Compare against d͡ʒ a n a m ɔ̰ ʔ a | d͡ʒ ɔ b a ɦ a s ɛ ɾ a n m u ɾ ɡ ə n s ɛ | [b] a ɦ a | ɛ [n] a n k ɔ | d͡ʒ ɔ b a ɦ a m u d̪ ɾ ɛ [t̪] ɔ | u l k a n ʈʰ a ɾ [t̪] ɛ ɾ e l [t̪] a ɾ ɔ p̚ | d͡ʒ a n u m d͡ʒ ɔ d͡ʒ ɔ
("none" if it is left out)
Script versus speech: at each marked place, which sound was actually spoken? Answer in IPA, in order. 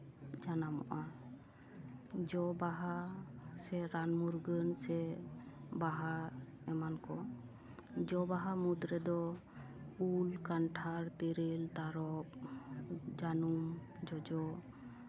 b, m, d̪, t̪, t̪

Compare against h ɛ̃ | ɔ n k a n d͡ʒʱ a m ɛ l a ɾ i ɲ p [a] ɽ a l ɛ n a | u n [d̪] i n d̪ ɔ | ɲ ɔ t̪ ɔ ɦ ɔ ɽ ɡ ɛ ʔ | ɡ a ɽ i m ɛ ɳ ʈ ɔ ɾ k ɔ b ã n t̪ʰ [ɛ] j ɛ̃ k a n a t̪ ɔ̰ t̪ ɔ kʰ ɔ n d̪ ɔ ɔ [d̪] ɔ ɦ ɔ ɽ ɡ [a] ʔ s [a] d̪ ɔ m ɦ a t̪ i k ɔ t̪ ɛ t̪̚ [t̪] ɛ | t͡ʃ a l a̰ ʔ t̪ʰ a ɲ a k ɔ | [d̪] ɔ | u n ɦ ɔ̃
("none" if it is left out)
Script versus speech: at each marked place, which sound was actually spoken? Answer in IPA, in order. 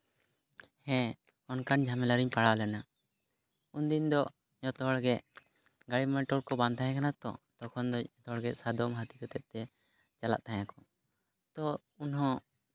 a, d̪, a, t̪, ɛ, a, t̪, t̪

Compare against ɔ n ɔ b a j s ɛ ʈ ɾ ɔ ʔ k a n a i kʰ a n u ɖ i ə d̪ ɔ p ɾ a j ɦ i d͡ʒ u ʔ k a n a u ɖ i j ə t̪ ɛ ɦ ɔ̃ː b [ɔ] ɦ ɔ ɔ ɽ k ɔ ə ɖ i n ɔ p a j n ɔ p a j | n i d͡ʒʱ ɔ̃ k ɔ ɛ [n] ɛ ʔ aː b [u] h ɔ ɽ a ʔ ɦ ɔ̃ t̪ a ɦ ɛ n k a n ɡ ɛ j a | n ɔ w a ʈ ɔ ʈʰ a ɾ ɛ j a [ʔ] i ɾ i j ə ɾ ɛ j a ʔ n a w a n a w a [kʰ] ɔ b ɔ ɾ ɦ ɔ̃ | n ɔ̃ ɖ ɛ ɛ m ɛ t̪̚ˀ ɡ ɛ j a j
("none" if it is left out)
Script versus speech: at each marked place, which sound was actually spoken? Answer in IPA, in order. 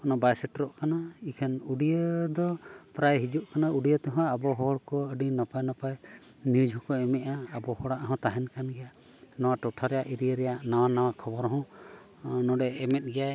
ɔ, m, ɔ, ʔ, kʰ

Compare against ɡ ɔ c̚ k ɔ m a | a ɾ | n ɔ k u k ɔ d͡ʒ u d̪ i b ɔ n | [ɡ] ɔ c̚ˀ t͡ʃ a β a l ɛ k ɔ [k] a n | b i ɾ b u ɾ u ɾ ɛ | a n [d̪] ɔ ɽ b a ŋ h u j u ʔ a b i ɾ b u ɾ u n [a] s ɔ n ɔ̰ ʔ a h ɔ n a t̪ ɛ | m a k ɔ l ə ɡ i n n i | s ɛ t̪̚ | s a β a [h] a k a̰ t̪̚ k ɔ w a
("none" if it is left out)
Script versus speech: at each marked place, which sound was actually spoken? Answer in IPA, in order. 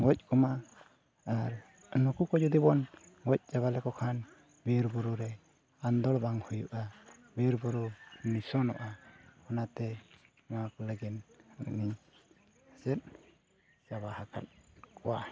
ɡ, kʰ, d̪, i, h

